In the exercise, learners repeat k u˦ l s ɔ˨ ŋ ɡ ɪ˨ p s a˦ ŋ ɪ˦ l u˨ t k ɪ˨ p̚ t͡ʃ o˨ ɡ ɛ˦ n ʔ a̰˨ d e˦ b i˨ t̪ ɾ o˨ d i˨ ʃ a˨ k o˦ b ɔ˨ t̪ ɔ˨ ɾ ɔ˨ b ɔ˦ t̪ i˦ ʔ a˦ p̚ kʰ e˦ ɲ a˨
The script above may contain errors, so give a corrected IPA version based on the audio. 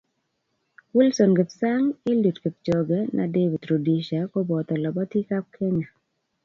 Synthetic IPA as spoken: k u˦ l s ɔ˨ n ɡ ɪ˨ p s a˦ ŋ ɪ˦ l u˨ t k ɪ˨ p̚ t͡ʃ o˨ ɡ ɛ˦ n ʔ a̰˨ d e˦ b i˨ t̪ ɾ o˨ d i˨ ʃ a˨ k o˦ b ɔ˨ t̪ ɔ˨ l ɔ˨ b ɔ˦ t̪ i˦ k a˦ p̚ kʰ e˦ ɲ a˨